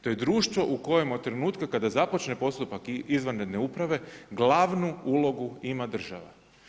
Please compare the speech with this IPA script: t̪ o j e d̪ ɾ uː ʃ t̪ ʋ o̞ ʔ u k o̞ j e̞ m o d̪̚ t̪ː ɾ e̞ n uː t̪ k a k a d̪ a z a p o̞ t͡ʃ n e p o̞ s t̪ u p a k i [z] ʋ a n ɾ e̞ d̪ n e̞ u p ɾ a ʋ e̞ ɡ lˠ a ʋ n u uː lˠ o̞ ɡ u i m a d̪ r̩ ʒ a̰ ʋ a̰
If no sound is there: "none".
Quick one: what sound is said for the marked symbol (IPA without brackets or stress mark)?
z